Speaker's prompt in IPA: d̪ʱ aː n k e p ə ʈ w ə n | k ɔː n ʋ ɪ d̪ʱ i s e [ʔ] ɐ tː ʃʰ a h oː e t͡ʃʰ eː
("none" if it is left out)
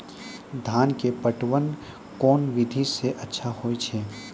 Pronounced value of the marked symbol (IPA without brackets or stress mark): ʔ